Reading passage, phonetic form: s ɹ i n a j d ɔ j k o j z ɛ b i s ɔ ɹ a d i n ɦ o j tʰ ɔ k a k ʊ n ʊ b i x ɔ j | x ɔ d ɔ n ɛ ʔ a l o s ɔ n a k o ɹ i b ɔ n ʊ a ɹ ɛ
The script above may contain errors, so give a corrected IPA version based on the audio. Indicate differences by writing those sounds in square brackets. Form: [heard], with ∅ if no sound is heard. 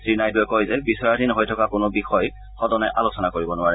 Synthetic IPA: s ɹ i n a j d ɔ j k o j z ɛ b i s ɔ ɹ a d i n ɦ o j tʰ ɔ k a k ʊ n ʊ b i x ɔ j | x ɔ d ɔ n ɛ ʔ a l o s ɔ n a k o ɹ i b ɔ n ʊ a ɹ ɛ